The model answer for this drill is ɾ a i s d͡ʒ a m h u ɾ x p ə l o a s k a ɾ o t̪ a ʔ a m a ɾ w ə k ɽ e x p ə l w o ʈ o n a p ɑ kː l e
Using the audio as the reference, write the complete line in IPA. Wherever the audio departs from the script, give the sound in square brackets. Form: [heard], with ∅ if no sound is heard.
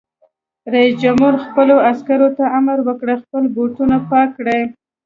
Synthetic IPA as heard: ɾ a i s d͡ʒ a m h u ɾ x p ə l o a s k a ɾ o t̪ a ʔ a m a ɾ w ə k ɽ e x p ə l [b] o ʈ [u] n a p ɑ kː [ɽ] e